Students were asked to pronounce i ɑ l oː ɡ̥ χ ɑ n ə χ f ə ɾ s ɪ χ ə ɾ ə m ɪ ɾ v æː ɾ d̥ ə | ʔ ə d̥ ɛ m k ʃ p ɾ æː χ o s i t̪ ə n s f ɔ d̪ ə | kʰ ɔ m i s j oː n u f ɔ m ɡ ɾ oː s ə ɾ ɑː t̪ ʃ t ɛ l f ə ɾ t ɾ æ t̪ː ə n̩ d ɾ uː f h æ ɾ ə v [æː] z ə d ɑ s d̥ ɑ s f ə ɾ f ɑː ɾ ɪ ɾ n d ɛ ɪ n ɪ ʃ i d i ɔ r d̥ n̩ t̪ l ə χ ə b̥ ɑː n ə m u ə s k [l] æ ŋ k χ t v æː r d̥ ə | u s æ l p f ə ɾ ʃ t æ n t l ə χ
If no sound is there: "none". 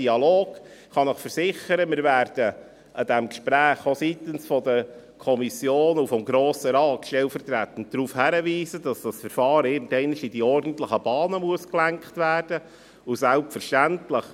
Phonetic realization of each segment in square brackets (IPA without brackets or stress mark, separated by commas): iː, l